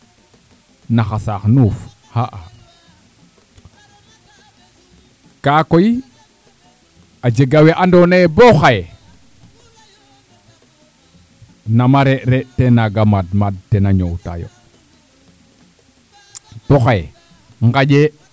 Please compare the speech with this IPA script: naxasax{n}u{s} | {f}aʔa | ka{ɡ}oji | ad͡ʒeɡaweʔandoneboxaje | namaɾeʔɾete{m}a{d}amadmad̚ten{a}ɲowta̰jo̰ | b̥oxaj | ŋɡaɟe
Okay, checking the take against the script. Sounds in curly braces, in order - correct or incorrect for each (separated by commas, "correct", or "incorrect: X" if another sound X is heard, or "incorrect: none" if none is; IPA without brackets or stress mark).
correct, incorrect: f, incorrect: h, incorrect: k, incorrect: n, incorrect: ɡ, correct